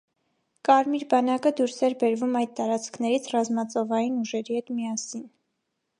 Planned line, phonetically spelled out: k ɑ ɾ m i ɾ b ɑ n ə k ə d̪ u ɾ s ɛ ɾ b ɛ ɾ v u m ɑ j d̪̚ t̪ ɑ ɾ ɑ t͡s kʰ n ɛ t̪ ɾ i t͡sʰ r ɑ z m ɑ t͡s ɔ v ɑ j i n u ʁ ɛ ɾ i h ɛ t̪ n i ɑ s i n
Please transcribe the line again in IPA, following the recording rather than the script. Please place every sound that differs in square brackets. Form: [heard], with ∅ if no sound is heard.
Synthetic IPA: k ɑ ɾ m i ɾ b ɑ n [ɑ] k ə d̪ u ɾ s ɛ ɾ b ɛ ɾ v u m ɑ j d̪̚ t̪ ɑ ɾ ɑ t͡s kʰ n ɛ [∅] ɾ i t͡sʰ r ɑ z m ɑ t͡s ɔ v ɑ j i n u [ʒ] ɛ ɾ i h ɛ t̪ [m] i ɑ s i n